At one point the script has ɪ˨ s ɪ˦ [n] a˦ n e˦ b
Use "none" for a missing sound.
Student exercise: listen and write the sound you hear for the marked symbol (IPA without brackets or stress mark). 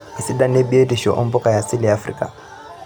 d